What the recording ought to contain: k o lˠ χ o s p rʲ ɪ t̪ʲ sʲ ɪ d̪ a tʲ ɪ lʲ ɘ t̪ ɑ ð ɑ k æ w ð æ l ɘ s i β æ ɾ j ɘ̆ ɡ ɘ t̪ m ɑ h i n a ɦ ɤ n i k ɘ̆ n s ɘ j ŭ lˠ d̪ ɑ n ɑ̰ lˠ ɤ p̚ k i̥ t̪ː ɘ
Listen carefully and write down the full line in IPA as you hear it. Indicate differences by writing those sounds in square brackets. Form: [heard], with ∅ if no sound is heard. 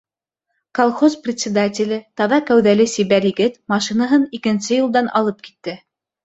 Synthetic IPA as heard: k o lˠ χ o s p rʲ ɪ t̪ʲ sʲ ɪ d̪ a tʲ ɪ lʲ ɘ t̪ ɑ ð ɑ k æ w ð æ l ɘ s i β æ ɾ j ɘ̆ ɡ ɘ t̪ m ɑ [ʃ] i n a ɦ ɤ n i k ɘ̆ n s ɘ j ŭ lˠ d̪ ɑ n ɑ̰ lˠ ɤ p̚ k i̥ t̪ː ɘ